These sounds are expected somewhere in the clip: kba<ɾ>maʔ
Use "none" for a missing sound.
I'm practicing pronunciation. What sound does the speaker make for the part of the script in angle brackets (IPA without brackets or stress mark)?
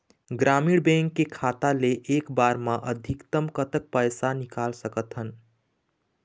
ɾ